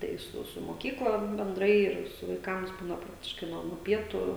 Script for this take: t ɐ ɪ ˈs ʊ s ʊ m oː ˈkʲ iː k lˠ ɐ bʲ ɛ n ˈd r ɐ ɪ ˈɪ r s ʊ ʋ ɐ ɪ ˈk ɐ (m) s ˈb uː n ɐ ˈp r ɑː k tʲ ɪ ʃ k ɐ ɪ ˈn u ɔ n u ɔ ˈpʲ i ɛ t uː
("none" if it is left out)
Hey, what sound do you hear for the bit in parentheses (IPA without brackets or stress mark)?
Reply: m